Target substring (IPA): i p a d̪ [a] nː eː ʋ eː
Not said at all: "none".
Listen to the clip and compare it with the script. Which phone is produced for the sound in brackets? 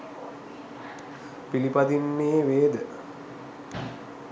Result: i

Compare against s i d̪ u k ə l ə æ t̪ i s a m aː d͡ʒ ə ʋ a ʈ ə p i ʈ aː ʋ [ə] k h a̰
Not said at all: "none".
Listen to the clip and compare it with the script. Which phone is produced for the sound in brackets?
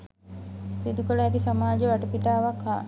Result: a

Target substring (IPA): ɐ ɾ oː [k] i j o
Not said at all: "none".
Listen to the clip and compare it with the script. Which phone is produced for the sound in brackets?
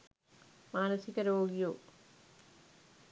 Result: ɡ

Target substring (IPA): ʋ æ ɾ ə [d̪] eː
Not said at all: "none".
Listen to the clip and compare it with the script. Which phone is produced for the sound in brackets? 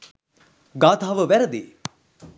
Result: d̪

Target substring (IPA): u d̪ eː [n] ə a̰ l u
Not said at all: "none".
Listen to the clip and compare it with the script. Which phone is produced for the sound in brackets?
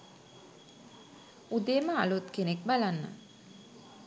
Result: m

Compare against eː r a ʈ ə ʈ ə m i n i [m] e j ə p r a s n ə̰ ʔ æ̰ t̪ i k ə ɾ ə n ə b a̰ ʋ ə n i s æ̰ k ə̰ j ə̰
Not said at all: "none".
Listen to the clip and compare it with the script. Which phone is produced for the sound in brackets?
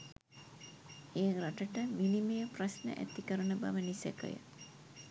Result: m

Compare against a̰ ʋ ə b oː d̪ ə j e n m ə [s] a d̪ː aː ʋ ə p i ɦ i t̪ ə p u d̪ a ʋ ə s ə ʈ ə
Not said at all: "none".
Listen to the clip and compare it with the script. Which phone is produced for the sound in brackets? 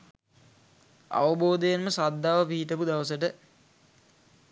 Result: s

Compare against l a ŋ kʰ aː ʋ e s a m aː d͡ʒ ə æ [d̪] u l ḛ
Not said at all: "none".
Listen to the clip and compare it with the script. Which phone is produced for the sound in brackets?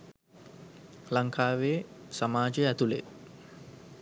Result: t̪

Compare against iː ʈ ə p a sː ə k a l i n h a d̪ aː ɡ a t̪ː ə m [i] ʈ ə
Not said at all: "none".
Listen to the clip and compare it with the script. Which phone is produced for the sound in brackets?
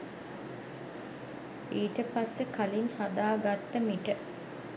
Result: i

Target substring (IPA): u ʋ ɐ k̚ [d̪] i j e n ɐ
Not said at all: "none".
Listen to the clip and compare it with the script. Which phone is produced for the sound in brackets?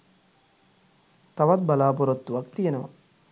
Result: t̪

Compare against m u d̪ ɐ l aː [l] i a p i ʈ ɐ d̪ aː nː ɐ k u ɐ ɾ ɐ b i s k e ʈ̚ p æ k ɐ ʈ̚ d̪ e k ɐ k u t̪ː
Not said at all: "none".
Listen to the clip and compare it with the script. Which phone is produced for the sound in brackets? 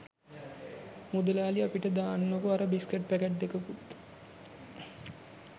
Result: l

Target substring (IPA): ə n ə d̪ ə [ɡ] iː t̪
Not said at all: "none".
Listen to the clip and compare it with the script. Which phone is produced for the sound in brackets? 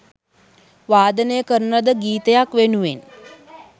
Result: ɡ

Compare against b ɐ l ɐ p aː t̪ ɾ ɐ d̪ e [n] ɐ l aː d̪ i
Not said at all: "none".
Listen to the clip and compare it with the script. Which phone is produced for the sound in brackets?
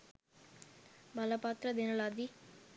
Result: n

